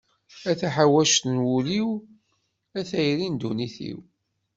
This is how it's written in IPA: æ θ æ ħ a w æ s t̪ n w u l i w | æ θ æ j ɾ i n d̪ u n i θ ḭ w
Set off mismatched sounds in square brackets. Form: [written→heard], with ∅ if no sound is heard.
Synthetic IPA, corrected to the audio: æ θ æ ħ a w æ [s→ʃ] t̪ n w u l i w | æ θ æ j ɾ i n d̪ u n i θ ḭ w